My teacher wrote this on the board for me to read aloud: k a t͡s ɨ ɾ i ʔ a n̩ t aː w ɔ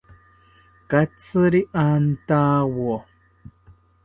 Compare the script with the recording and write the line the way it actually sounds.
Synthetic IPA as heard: k a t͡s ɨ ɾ i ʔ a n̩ t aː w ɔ